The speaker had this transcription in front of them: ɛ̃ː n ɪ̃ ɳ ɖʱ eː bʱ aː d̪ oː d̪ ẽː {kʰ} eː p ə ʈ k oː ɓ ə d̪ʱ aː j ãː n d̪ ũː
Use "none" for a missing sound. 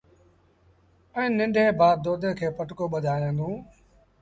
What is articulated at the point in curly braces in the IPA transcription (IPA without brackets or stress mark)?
kʰ